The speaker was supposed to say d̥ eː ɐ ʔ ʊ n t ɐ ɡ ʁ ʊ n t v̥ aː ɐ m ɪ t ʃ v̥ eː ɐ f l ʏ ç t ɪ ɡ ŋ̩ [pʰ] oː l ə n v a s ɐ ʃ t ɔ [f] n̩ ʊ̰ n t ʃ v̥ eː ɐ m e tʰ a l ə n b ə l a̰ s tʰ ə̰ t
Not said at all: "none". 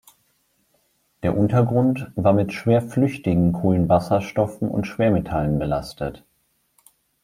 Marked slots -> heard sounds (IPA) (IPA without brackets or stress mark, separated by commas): kʰ, f